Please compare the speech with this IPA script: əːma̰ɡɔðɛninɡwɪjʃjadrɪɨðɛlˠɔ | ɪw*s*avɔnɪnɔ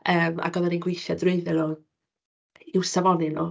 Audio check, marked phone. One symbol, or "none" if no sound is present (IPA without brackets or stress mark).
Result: s